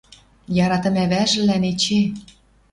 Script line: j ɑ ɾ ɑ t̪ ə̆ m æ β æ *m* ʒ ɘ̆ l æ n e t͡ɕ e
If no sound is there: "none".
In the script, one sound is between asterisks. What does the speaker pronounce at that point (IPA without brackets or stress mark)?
none